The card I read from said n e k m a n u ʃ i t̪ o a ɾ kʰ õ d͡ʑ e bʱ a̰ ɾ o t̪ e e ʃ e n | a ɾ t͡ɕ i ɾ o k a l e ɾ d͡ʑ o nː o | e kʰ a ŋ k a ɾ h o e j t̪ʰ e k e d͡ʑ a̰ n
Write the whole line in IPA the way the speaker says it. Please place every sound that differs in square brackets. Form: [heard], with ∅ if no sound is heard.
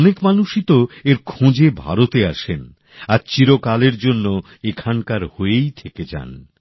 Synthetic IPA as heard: n e k m a n u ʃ i t̪ o [e] ɾ kʰ õ d͡ʑ e bʱ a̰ ɾ o t̪ e [a] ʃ e n | a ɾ t͡ɕ i ɾ o k a l e ɾ d͡ʑ o nː o | e kʰ a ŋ k a ɾ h o e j t̪ʰ e k e d͡ʑ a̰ n